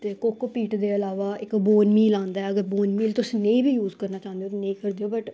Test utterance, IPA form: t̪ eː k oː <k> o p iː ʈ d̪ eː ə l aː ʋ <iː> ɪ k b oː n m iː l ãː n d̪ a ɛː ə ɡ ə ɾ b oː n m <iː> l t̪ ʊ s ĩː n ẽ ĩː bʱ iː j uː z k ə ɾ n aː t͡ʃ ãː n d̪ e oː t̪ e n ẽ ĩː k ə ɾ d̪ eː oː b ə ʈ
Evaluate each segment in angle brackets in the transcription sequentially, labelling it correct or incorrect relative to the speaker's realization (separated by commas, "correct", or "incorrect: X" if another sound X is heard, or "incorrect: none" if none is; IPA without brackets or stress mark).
correct, incorrect: aː, correct